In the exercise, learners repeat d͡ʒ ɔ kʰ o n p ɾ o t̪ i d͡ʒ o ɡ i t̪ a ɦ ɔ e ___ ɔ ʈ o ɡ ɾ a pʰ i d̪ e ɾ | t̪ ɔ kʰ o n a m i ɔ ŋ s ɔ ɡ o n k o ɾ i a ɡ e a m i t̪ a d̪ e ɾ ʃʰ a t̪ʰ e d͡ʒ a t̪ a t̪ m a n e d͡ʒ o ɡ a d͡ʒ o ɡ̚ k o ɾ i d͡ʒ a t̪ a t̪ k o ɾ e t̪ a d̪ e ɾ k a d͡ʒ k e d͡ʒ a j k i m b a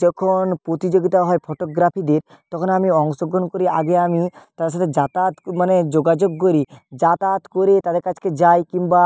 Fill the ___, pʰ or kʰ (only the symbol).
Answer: pʰ